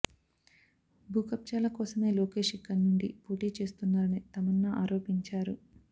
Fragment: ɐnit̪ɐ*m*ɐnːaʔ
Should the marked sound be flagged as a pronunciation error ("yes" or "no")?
no